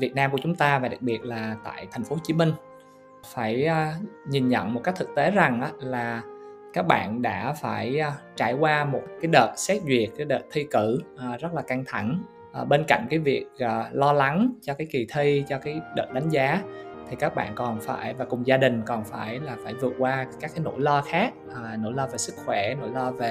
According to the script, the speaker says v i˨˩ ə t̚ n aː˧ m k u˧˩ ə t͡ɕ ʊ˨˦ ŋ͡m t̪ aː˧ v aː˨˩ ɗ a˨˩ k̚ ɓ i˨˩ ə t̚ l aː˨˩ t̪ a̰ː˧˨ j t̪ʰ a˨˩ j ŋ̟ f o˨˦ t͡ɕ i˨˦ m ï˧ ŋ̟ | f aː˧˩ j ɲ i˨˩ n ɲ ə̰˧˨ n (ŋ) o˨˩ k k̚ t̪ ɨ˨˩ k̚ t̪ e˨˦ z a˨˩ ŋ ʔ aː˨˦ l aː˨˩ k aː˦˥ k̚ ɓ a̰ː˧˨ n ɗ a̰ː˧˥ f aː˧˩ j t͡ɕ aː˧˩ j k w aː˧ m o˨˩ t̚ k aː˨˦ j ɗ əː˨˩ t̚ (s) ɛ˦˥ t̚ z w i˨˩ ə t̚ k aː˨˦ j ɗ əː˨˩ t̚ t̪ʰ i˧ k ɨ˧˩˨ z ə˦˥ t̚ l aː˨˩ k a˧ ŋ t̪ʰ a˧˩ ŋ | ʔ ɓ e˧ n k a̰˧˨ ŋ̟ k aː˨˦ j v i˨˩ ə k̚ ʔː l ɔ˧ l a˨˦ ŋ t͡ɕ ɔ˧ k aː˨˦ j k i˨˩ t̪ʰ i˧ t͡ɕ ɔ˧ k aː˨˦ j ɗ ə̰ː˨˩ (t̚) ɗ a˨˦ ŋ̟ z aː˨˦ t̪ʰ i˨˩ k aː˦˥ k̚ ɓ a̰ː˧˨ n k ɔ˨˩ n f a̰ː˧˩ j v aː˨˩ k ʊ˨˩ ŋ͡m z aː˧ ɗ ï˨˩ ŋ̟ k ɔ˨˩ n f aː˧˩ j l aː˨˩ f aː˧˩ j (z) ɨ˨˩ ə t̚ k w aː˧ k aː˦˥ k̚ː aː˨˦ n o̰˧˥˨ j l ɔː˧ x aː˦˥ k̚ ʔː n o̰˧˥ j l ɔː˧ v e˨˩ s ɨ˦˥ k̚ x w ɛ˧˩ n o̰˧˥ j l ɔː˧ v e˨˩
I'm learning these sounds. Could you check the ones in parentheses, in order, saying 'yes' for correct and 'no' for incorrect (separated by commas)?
no, yes, yes, no